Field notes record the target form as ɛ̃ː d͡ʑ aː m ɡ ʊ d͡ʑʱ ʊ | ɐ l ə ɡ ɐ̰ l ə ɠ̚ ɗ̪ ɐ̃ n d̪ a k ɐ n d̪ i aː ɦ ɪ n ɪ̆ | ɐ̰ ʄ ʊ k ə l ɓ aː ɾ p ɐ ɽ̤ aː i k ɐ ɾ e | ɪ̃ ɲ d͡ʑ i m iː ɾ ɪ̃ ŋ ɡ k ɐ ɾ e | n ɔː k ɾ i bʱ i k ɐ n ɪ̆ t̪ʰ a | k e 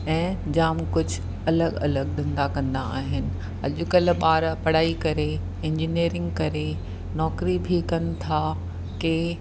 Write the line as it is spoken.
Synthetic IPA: ɛ̃ː d͡ʑ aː m k ʊ d͡ʑʱ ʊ | ɐ l ə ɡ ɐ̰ l ə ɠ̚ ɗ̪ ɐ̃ n d̪ a k ɐ̃ n d̪ a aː ɦ ɪ n ɪ̆ | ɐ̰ ʄ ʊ k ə l ɓ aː ɾ p ɐ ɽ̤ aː i k ɐ ɾ e | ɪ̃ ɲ d͡ʑ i n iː ɾ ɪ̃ ŋ ɡ k ɐ ɾ e | n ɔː k ɾ i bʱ i k ɐ n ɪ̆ t̪ʰ a | k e